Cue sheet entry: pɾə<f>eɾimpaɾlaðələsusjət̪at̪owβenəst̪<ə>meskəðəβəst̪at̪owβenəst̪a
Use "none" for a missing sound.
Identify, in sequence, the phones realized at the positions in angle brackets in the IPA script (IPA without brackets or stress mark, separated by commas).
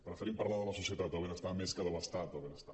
f, a